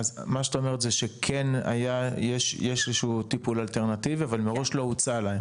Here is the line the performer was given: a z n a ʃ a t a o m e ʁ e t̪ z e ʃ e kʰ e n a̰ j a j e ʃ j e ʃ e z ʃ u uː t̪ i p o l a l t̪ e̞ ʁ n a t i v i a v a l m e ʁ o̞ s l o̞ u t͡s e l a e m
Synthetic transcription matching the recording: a z m a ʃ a t a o m e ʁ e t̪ z e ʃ e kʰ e n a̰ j a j e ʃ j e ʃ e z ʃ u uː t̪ i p u l a l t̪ e̞ ʁ n a t i v i a v a l m e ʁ o̞ ʃ l o̞ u t͡s a l a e m